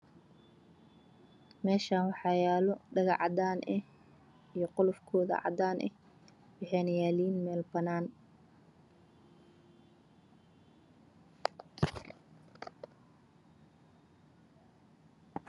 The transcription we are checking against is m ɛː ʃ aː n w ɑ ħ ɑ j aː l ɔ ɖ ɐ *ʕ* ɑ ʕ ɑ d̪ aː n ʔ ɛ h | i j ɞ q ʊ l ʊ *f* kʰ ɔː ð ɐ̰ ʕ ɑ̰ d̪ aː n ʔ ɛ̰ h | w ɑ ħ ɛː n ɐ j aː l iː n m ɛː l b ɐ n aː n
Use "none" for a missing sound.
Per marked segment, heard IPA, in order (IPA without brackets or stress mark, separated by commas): ɣ, f